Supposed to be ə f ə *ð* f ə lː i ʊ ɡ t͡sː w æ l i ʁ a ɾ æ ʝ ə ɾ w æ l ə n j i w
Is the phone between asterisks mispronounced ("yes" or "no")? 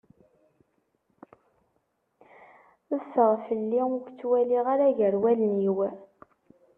yes